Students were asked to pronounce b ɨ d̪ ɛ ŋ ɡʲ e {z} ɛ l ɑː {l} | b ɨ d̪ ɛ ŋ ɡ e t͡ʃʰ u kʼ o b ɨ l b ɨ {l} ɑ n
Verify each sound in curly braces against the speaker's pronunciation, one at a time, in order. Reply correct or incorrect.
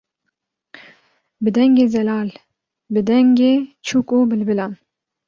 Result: correct, correct, correct

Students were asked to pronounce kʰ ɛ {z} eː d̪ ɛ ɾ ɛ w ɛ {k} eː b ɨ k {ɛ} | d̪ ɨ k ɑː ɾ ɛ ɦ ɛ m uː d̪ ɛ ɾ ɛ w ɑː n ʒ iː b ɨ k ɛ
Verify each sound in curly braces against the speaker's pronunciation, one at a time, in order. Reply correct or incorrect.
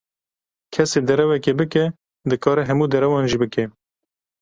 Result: incorrect: s, correct, correct

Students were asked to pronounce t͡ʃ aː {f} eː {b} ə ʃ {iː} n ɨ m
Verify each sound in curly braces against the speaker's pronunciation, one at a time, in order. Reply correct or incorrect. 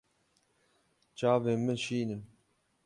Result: incorrect: v, incorrect: m, correct

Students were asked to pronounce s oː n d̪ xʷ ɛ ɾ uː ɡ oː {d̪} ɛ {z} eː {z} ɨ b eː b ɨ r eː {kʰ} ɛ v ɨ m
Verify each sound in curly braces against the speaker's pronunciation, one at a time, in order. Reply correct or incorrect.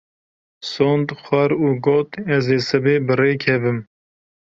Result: incorrect: t̪, correct, incorrect: s, correct

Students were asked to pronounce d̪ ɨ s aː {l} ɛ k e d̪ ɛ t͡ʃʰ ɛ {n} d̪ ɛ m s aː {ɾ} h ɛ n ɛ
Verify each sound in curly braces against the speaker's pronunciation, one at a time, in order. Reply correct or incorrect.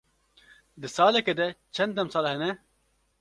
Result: correct, correct, incorrect: l

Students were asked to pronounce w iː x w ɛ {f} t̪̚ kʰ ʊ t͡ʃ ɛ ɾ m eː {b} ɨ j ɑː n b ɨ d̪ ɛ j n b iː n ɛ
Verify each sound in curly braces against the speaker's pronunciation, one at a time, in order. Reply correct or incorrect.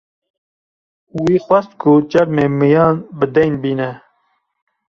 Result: incorrect: s, incorrect: m

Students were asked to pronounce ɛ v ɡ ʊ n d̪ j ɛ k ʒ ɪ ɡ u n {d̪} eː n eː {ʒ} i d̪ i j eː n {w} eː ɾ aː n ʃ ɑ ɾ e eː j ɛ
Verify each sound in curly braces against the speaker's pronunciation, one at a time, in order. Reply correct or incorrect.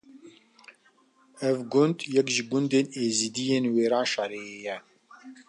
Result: correct, incorrect: z, correct

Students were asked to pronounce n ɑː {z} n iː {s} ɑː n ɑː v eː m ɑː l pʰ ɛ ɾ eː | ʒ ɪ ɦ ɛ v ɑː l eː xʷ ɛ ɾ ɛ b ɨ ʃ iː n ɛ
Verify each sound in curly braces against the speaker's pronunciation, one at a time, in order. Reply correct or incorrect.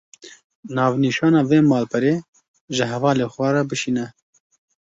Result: incorrect: v, incorrect: ʃ

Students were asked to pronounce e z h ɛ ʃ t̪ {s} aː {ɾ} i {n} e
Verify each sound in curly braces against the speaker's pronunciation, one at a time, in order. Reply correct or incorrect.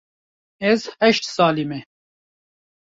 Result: correct, incorrect: l, incorrect: m

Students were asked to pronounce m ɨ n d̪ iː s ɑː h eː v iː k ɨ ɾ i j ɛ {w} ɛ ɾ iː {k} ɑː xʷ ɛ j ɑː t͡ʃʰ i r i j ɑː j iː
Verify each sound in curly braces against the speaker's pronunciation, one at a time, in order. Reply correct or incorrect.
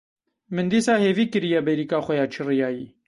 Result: incorrect: b, correct

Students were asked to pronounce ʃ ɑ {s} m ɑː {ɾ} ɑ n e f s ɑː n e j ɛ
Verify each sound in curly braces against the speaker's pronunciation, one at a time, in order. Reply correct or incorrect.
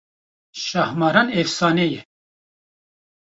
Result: incorrect: h, correct

